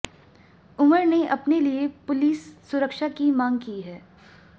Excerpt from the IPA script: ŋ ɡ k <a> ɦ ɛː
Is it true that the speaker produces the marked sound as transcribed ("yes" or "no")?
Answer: no